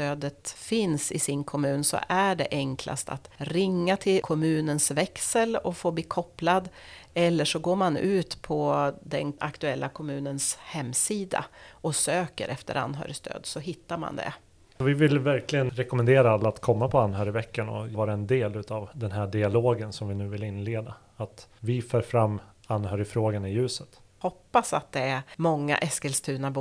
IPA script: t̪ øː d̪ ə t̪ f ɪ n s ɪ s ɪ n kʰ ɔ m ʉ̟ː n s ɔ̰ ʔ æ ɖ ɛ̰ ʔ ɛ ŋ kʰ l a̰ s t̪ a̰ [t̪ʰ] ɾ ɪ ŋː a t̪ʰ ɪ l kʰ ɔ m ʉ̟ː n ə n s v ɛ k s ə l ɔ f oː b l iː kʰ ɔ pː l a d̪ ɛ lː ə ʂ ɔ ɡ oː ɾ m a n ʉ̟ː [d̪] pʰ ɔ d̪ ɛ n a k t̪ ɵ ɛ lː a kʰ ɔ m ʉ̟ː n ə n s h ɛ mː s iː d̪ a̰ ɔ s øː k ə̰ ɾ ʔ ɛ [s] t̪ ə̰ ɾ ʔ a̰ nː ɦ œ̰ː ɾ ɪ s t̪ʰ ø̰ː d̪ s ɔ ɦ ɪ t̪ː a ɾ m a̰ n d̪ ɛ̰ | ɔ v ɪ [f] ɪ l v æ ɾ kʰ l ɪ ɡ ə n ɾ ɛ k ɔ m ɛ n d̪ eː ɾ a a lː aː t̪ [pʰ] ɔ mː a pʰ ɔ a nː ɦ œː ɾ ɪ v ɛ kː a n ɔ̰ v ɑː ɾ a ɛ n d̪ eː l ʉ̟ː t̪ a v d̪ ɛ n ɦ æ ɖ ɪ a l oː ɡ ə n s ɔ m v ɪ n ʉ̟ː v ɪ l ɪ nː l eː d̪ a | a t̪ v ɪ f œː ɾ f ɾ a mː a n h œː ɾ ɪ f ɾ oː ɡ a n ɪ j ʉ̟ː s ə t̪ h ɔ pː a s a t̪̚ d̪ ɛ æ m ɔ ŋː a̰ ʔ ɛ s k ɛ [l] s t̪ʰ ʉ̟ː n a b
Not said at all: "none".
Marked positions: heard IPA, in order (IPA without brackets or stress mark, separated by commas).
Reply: t̪, t̪, f, v, kʰ, l